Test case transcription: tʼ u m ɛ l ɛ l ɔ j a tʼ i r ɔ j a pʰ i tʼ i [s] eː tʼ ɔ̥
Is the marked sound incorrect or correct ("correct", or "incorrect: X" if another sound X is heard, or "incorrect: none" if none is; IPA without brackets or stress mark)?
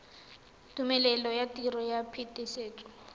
correct